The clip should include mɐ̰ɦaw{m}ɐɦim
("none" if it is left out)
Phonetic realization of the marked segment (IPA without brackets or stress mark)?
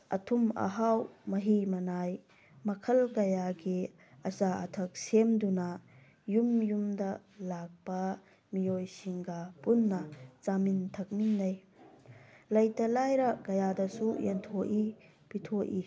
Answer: m